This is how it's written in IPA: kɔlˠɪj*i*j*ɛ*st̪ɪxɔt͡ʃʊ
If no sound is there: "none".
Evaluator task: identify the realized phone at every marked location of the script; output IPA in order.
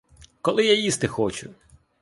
a, i

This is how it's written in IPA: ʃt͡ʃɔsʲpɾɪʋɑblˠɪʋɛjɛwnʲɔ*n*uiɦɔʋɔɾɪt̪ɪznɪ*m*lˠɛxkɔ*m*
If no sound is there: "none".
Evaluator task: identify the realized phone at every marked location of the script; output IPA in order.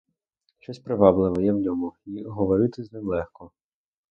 m, m, none

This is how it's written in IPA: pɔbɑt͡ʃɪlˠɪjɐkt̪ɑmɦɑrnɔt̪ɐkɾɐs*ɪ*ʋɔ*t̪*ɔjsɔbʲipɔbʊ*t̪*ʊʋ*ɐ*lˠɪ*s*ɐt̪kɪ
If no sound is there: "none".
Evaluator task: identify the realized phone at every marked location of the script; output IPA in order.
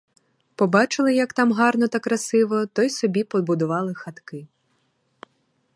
ɪ, t̪, d̪, ɑ, x

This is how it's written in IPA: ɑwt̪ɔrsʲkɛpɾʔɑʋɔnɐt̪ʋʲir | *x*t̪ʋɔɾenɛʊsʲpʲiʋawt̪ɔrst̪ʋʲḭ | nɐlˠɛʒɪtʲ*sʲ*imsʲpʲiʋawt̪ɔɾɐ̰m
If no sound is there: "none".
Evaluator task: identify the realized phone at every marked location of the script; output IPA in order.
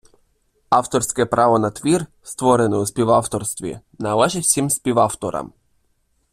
s, sʲ

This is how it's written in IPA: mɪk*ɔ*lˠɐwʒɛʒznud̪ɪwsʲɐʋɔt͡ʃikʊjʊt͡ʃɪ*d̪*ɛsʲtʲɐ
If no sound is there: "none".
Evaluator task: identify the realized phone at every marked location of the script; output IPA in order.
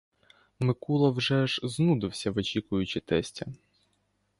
u, t̪

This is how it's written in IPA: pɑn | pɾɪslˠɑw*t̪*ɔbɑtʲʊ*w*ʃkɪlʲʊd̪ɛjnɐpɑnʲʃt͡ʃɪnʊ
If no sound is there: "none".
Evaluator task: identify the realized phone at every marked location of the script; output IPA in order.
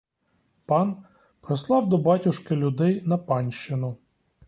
d̪, none

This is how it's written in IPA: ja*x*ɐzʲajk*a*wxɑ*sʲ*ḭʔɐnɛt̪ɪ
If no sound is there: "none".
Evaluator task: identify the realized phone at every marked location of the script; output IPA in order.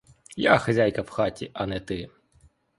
x, ɐ, tʲ

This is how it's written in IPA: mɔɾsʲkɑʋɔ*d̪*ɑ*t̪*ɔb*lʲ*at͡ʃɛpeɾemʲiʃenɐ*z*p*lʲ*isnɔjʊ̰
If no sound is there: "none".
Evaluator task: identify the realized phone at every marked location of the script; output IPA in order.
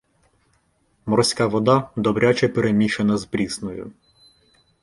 d̪, d̪, ɾʲ, z, ɾʲ

